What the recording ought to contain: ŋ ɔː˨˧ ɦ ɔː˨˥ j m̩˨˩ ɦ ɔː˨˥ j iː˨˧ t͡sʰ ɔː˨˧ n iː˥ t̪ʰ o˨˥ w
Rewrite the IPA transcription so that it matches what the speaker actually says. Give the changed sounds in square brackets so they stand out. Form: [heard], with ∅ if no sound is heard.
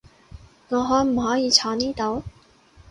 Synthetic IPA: ŋ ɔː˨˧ ɦ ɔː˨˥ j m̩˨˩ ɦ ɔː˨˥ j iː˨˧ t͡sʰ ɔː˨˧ n iː˥ [t̪] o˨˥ w